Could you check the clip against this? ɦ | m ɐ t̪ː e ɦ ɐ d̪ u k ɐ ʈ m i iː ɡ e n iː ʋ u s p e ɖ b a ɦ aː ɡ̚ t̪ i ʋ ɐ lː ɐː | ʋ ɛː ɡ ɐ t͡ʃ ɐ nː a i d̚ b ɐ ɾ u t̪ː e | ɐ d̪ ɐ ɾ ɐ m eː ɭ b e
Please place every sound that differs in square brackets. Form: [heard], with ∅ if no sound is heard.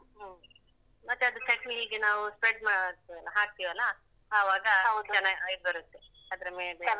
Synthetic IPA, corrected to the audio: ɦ | m ɐ t̪ː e [∅] ɐ d̪ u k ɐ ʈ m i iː ɡ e n [aː] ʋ u s p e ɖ [m] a ɦ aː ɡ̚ t̪ i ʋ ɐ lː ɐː | ʋ [aː] ɡ ɐ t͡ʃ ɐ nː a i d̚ b ɐ ɾ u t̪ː e | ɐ d̪ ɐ ɾ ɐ m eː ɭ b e